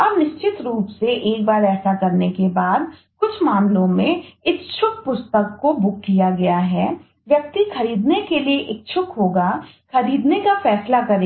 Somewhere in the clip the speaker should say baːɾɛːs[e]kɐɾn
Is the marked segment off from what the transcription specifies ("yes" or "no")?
yes